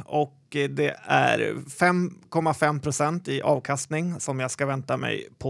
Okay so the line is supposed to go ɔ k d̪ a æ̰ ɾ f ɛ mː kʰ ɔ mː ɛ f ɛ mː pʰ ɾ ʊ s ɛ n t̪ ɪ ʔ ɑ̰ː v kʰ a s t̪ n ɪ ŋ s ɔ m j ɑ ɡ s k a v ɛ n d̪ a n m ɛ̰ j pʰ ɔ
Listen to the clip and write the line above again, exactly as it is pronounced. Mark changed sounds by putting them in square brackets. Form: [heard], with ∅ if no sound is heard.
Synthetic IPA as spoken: ɔ k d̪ [ɛ] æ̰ ɾ f ɛ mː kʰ ɔ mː [a] f ɛ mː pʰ ɾ ʊ s ɛ n t̪ ɪ ʔ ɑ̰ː v kʰ a s t̪ n ɪ ŋ s ɔ m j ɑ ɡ s k a v ɛ n [t̪] a [∅] m ɛ̰ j pʰ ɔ